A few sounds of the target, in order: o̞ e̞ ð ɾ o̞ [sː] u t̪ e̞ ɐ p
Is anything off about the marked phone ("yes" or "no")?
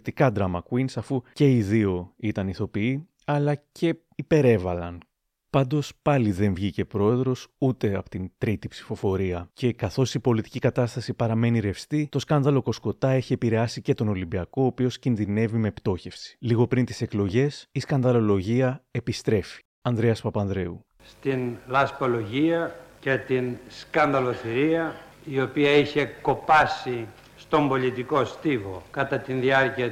yes